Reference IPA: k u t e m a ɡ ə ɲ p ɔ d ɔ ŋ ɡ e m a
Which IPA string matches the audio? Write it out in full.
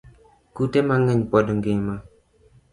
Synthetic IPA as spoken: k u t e m a ŋ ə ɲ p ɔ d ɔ ŋ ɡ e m a

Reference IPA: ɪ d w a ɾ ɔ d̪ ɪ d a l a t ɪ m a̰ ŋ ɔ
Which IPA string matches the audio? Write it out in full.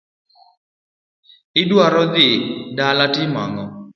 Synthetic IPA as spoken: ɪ d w a ɾ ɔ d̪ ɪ d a l a t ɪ m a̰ ŋ ɔ

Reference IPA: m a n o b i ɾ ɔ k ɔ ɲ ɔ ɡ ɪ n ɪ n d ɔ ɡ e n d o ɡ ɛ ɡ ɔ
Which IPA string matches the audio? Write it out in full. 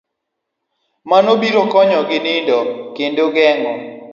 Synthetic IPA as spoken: m a n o b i ɾ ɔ k ɔ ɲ ɔ ɡ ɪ n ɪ n d ɔ k e n d o ɡ ɛ ŋ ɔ

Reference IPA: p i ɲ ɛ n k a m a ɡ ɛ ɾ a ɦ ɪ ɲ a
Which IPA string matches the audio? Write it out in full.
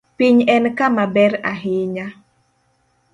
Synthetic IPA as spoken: p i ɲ ɛ n k a m a b ɛ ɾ a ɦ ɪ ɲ a

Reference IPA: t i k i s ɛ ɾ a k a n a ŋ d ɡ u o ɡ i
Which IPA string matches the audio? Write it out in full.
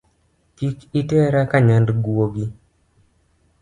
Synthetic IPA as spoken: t i k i t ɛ ɾ a k a ɲ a n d ɡ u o ɡ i

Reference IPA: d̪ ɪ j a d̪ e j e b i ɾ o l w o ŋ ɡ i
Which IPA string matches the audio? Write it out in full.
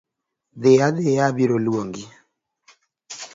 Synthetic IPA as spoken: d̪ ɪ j a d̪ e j a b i ɾ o l w o ŋ ɡ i

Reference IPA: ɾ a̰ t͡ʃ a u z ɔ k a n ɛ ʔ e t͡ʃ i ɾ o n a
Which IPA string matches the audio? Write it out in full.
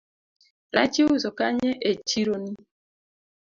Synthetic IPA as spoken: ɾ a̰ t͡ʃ i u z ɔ k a ɲ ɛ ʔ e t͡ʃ i ɾ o n i

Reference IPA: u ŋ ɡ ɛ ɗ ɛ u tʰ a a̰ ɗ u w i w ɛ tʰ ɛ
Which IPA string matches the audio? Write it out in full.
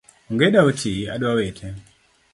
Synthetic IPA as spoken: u ŋ ɡ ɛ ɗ a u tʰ i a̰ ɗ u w a w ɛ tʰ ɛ

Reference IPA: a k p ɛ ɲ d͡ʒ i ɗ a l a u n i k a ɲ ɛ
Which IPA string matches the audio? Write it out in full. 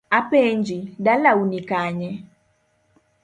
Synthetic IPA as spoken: a p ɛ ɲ d͡ʒ i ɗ a l a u n i k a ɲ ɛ

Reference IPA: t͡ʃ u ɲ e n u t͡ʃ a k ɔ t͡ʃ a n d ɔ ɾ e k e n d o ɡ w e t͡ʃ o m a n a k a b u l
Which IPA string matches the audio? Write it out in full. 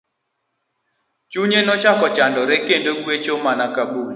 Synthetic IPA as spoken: t͡ʃ u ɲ e n ɔ t͡ʃ a k ɔ t͡ʃ a n d ɔ ɾ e k e n d o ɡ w e t͡ʃ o m a n a k a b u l

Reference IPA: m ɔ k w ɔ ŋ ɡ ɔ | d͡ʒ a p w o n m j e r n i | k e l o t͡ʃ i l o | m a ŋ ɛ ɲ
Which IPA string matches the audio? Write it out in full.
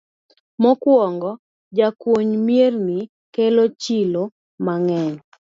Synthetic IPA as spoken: m ɔ k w ɔ ŋ ɡ ɔ | d͡ʒ a k w o ɲ m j e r n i | k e l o t͡ʃ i l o | m a ŋ ɛ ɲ

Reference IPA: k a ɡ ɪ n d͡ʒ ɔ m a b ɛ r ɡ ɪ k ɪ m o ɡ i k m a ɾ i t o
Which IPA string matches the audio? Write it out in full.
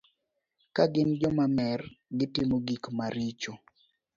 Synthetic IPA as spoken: k a ɡ ɪ n d͡ʒ ɔ m a m ɛ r ɡ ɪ t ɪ m o ɡ i k m a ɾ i t͡ʃ o

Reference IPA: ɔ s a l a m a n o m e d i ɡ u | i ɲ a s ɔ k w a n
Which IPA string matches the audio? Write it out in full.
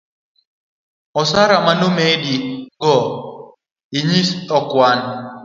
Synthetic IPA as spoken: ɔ s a ɾ a m a n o m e d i ɡ ɔ | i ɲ i s ɔ k w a n

